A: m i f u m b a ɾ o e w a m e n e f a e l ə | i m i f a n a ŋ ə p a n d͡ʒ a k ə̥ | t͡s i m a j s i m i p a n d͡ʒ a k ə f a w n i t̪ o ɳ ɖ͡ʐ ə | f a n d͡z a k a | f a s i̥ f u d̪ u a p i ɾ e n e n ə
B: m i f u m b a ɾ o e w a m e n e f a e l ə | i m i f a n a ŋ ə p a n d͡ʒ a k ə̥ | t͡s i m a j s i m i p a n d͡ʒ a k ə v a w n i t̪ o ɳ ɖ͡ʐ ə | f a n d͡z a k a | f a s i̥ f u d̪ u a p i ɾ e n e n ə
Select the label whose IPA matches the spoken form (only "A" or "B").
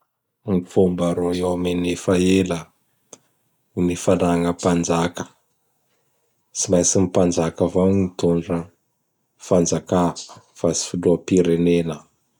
B